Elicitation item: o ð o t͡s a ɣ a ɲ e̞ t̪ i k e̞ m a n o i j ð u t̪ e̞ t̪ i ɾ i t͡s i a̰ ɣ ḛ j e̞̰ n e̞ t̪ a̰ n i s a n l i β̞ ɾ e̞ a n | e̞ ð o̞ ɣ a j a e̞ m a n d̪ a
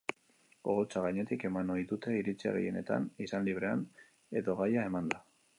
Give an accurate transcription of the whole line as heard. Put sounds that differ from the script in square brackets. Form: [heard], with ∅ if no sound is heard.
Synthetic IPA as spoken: o [ɣ] o t͡s a ɣ a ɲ e̞ t̪ i k e̞ m a n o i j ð u t̪ e̞ [∅] i ɾ i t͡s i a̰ ɣ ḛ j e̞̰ n e̞ t̪ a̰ n i s a n l i β̞ ɾ e̞ a n | e̞ ð o̞ ɣ a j a e̞ m a n d̪ a